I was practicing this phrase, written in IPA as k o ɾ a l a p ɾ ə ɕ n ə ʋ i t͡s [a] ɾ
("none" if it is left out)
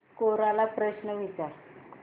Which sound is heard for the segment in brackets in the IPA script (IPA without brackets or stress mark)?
a